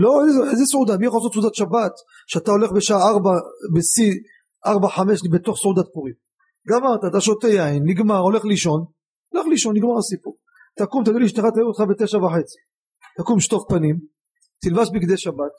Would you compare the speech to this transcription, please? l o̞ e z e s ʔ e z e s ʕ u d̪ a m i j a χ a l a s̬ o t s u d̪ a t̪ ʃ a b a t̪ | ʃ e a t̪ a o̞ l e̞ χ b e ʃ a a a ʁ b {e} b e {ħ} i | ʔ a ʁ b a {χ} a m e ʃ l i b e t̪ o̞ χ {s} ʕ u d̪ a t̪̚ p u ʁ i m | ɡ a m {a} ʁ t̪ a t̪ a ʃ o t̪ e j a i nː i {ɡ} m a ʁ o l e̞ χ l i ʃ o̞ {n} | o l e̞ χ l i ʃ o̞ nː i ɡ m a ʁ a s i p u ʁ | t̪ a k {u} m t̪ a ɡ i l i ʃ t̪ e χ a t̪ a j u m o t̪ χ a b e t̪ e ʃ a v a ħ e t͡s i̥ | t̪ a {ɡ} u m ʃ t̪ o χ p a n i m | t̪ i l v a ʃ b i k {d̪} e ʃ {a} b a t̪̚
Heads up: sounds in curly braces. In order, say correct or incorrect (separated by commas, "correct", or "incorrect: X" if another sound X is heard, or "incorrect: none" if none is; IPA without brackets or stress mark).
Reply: incorrect: a, incorrect: s, incorrect: ħ, correct, correct, correct, correct, correct, incorrect: k, correct, correct